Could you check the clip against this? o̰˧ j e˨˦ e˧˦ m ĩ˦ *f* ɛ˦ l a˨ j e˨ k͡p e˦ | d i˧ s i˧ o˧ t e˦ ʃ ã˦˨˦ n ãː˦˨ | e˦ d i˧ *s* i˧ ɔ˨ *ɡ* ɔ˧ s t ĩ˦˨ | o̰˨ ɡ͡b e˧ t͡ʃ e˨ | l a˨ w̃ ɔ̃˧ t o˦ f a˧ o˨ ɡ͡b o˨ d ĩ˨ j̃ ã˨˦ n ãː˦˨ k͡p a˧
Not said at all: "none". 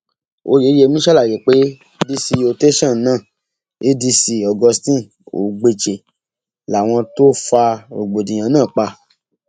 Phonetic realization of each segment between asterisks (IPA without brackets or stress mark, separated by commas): ʃ, s, ɡ